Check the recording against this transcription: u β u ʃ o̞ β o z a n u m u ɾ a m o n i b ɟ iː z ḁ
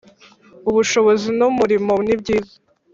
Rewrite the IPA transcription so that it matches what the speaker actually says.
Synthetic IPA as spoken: u β u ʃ o̞ β o z i n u m u ɾ i m o n i b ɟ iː z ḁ